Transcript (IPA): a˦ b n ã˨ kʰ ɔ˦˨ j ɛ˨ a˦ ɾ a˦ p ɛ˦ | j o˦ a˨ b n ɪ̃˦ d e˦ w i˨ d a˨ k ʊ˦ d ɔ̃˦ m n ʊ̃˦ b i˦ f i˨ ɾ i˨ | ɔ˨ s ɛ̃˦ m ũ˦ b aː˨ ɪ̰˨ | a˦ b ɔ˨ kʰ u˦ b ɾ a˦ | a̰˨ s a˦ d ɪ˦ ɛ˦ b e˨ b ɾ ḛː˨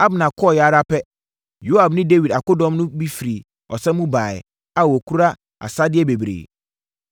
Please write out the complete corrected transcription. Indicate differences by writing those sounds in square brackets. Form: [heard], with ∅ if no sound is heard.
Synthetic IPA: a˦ b n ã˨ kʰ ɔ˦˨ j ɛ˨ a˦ ɾ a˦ p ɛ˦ | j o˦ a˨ b n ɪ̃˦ d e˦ w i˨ d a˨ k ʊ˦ d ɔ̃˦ m n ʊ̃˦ b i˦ f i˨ ɾ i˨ | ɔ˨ s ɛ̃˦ m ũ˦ b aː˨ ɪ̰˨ | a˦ [w] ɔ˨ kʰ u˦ [∅] ɾ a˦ | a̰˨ s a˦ d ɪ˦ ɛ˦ b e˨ b ɾ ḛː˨